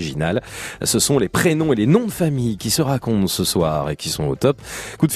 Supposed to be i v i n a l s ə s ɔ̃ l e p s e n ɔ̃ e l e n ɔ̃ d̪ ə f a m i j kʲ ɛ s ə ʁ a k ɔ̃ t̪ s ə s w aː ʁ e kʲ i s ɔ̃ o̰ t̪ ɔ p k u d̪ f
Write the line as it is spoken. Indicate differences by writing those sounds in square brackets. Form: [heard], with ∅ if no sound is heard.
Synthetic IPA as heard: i [ʒ] i n a l s ə s ɔ̃ l e p [χ] e n ɔ̃ e l e n ɔ̃ d̪ ə f a m i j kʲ [i] s ə ʁ a k ɔ̃ t̪ s ə s w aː ʁ e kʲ i s ɔ̃ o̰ t̪ ɔ p k u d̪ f